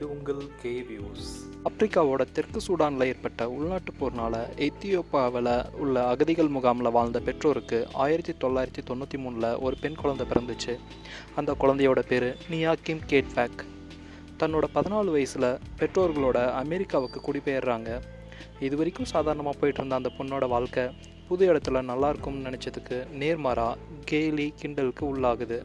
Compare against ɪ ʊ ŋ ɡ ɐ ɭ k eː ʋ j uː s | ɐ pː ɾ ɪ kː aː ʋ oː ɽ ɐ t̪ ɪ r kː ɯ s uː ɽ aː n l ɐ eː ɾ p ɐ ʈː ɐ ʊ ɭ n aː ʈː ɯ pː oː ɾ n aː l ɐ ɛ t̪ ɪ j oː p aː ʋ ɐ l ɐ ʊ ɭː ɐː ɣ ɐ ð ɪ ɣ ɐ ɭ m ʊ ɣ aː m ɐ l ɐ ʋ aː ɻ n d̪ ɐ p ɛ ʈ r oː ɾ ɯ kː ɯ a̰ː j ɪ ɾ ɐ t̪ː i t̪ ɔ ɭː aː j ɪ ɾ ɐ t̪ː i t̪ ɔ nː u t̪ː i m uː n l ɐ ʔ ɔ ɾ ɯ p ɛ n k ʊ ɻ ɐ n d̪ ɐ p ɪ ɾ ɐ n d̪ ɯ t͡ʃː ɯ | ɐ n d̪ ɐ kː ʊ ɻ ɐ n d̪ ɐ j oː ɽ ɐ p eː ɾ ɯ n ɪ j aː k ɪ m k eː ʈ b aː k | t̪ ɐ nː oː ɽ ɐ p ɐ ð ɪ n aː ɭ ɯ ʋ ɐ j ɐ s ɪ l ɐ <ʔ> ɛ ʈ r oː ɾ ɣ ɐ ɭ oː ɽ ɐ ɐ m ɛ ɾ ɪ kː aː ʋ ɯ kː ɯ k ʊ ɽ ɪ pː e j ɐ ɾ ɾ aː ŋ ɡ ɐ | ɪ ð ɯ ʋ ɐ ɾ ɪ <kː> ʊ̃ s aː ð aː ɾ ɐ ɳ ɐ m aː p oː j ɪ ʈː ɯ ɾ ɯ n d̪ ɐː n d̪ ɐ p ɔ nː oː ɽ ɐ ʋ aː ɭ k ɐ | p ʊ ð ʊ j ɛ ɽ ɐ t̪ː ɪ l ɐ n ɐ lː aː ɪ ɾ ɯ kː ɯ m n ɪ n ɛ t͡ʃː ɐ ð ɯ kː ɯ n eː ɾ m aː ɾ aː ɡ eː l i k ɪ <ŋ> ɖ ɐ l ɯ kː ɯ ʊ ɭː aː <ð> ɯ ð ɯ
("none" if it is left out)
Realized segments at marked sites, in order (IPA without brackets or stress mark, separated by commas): p, kː, ɳ, ɣ